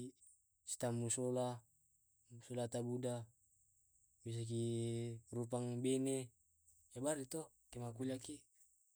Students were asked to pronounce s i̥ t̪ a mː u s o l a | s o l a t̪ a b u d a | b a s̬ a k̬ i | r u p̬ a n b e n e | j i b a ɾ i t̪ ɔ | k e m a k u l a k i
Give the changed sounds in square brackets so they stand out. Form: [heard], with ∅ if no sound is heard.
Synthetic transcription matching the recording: s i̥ t̪ a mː u s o l a | s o l a t̪ a b u d a | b [i] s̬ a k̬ i | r u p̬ a [ŋ] b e n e | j [a] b a ɾ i t̪ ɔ | k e m a k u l a k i